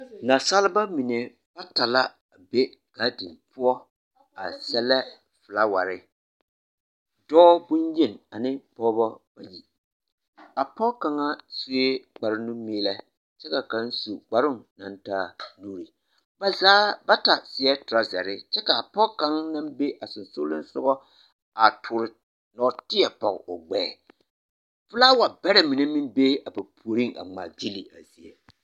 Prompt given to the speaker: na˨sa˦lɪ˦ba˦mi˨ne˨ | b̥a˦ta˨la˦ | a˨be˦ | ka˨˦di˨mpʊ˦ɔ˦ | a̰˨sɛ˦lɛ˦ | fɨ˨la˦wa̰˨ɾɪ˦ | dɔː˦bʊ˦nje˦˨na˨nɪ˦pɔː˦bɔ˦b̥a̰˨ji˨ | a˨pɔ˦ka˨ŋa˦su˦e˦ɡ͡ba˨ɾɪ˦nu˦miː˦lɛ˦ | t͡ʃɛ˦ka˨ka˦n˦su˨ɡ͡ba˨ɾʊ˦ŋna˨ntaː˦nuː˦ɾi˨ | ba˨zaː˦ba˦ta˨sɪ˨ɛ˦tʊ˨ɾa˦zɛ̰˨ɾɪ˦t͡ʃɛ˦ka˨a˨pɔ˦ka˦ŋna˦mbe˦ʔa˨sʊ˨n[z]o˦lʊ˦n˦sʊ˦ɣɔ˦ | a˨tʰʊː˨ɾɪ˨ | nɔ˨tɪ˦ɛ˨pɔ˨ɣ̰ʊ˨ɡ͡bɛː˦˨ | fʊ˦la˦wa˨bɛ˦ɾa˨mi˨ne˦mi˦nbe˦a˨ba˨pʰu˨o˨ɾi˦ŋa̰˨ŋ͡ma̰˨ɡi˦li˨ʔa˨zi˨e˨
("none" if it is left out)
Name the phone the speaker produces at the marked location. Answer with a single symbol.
s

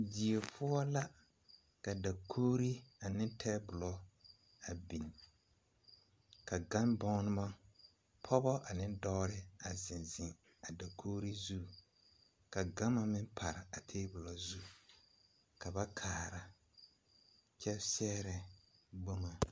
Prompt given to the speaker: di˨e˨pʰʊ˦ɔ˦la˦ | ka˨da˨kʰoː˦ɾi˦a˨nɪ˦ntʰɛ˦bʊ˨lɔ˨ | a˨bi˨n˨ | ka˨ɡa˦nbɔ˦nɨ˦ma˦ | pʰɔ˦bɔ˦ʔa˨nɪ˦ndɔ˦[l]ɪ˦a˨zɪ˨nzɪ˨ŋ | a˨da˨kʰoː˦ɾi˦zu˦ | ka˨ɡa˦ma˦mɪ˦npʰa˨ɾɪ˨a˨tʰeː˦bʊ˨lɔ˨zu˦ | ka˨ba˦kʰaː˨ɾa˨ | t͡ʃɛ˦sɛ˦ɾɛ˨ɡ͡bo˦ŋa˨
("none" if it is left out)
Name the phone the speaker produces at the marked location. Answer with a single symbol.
ɾ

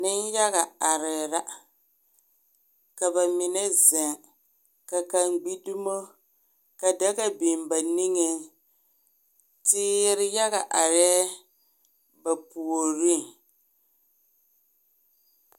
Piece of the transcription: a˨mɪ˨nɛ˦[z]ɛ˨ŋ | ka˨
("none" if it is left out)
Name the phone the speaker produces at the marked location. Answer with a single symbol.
z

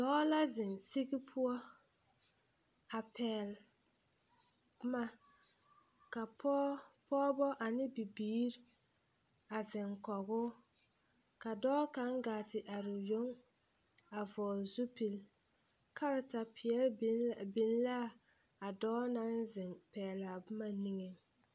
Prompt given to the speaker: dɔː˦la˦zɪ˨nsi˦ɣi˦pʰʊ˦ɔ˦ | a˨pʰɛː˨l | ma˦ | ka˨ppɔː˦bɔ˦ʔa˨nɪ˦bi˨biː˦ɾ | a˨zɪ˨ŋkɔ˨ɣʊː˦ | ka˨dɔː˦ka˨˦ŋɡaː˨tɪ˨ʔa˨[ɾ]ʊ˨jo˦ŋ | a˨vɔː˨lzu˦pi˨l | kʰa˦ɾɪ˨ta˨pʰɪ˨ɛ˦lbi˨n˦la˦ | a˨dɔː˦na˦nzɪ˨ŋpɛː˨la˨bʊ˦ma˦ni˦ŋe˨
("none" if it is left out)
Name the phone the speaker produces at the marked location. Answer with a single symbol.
ɾ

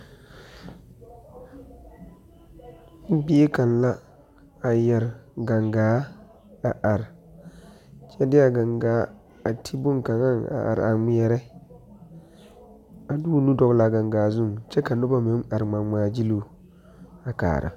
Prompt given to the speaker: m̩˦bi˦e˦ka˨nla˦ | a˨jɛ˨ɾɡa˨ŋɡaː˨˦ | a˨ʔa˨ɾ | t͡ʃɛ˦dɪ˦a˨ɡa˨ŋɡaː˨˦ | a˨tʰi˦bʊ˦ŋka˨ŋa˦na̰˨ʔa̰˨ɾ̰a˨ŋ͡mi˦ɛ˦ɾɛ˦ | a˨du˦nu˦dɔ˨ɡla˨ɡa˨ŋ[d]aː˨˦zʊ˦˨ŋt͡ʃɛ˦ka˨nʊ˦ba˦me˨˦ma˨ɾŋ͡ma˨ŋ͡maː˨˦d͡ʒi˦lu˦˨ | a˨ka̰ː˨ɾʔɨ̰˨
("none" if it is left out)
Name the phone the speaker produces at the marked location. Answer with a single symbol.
ɡ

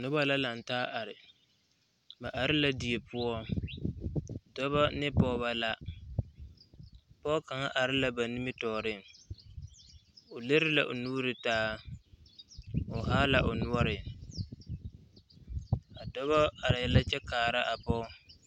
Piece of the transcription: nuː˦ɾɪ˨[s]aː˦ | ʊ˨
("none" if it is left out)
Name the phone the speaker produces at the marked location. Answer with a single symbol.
t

